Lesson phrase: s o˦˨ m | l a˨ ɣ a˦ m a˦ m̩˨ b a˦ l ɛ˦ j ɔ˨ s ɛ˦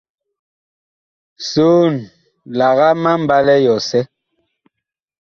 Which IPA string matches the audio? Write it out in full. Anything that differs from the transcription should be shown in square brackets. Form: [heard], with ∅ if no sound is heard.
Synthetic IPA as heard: s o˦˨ [n] | l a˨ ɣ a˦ m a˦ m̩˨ b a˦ l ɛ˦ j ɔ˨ s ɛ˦